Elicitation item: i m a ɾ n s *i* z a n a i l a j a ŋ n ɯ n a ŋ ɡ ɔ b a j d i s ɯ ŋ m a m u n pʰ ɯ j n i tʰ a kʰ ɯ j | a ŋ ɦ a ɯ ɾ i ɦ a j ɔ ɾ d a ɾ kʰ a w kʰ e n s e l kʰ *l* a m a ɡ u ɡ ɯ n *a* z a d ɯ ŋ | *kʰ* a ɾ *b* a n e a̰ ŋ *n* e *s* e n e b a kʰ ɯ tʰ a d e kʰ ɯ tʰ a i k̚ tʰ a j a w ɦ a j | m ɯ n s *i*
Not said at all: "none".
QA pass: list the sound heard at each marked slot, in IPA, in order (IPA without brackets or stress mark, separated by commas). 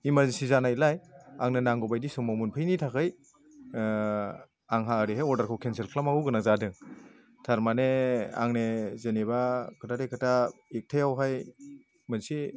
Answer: i, l, a, tʰ, m, n, z, i